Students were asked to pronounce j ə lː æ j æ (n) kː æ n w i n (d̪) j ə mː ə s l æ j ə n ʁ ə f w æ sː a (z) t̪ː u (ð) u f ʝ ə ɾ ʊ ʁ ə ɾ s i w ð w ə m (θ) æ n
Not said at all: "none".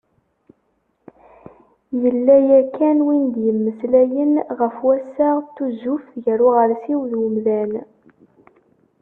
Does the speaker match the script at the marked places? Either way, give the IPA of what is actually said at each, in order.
none, d̪, ʁ, z, ð

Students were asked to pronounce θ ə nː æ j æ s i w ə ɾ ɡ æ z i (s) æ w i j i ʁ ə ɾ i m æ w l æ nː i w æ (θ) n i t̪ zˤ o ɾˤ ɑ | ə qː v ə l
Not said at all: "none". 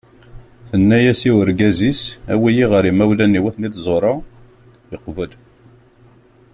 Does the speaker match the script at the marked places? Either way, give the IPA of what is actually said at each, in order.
s, θ

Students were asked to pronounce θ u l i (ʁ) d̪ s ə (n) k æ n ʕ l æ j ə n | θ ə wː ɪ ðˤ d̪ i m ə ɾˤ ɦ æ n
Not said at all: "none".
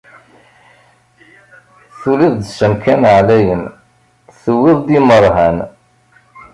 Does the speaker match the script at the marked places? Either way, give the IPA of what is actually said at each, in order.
ð, m

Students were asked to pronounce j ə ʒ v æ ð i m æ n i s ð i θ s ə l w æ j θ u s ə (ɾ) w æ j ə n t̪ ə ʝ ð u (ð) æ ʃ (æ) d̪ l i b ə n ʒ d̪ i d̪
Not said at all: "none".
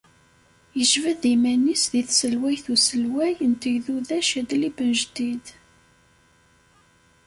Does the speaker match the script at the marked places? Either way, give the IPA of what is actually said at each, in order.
l, ð, æ

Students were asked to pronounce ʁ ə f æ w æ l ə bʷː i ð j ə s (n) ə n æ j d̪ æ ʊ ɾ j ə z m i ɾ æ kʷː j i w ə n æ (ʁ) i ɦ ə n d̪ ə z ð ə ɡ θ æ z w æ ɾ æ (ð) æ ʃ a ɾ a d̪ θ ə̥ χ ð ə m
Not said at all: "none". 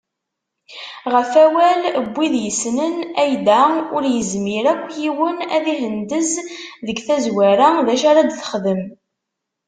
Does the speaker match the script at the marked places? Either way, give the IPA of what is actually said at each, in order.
n, ð, ð

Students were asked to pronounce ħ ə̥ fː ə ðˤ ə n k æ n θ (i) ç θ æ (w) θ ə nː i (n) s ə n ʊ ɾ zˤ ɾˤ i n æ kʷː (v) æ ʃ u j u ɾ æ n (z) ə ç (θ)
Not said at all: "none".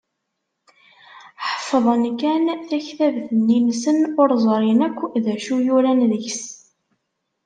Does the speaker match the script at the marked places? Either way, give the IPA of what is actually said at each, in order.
æ, v, n, ð, ð, s

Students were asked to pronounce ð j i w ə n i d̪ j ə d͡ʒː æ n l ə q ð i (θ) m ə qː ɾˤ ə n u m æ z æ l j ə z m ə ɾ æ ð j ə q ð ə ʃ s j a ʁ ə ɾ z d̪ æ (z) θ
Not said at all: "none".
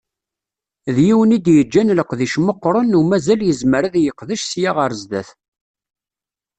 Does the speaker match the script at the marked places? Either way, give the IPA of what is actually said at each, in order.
ʃ, none

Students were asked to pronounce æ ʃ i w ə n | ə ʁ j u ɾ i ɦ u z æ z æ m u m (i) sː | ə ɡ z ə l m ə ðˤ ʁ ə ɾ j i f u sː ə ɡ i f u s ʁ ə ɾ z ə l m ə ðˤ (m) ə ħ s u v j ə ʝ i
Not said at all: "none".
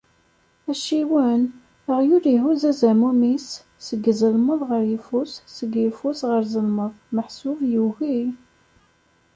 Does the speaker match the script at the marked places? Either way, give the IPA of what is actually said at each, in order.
i, m

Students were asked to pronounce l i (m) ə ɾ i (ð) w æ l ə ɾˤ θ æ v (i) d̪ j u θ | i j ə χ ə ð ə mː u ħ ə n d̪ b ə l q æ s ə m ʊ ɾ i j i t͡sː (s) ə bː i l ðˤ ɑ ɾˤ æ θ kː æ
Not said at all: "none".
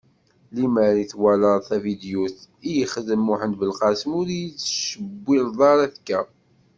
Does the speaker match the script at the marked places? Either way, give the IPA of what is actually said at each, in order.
m, θ, i, ʃ

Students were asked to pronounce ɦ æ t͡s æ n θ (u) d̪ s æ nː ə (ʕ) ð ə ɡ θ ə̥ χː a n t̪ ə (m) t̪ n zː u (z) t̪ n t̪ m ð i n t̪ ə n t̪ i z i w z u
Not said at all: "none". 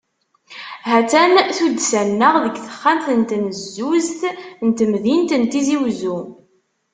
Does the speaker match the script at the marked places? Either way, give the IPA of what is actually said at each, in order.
u, ʁ, n, z

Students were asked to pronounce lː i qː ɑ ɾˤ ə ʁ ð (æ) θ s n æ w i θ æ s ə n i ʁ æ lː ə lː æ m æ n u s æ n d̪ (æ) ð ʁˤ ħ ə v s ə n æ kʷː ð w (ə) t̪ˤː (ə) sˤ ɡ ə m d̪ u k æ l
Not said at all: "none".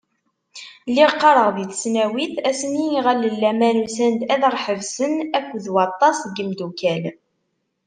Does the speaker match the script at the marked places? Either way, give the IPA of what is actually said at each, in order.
i, æ, ɑ, ɑ

